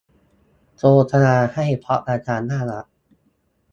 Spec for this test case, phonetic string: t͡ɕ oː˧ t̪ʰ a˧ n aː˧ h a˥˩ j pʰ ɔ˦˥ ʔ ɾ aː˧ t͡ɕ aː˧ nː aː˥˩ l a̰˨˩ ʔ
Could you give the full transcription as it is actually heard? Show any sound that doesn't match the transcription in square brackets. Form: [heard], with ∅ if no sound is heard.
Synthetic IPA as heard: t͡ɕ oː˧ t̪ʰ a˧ n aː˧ h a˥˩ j pʰ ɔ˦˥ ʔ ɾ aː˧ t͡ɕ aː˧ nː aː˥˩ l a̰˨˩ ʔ